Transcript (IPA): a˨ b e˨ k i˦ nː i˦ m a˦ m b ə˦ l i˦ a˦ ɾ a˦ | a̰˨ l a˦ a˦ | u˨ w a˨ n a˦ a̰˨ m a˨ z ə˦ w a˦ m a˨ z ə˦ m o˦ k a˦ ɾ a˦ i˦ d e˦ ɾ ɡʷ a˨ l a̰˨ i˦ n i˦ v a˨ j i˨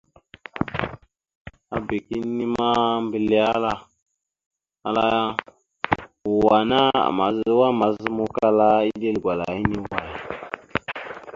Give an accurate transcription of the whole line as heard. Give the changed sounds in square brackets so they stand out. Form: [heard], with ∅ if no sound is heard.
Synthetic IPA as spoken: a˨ b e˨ k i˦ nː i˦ m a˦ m b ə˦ l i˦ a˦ [l] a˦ | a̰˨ l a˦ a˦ | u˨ w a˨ n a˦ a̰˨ m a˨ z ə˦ w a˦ m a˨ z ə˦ m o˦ k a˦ [l] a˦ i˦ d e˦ [l] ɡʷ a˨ l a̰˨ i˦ n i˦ [w] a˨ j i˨